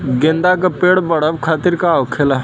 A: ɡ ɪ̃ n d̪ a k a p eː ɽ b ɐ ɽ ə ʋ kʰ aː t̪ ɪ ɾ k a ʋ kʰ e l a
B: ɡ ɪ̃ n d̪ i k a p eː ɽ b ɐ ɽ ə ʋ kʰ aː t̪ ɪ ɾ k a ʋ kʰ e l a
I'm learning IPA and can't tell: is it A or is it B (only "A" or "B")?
A